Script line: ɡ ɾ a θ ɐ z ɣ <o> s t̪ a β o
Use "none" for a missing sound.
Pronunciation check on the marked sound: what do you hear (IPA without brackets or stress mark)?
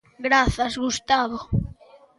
u